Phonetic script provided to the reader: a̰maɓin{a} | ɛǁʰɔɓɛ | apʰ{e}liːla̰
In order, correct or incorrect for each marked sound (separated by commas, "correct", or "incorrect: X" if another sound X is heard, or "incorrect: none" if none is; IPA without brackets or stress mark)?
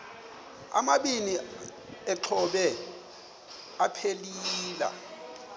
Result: incorrect: i, correct